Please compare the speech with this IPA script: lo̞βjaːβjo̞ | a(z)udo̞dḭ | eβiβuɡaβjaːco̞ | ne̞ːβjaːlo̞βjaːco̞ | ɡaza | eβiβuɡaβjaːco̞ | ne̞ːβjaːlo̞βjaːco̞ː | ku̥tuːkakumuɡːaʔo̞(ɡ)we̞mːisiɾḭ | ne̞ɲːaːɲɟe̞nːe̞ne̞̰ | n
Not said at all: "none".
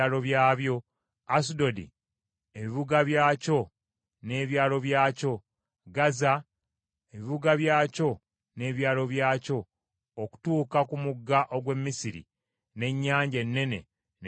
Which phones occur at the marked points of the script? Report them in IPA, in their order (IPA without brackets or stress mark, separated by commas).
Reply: s, ɡ